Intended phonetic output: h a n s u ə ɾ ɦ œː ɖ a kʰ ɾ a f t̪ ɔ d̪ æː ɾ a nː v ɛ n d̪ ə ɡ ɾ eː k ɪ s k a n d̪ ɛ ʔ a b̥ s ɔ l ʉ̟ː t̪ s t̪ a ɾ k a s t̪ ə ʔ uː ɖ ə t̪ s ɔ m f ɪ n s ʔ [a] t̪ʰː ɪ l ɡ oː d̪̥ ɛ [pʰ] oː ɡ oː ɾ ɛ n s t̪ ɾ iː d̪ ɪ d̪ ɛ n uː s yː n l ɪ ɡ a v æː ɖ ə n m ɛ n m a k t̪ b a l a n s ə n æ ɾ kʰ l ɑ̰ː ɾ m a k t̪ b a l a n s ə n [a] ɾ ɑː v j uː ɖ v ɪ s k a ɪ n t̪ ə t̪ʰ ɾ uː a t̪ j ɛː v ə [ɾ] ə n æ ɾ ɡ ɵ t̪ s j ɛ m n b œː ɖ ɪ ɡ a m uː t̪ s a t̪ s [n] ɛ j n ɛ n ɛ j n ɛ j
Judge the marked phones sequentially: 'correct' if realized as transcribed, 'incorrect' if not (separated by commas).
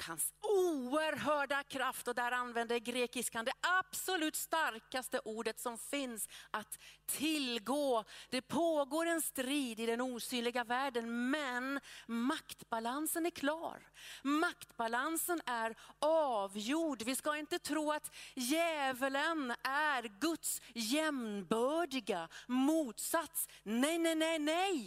correct, correct, incorrect, incorrect, correct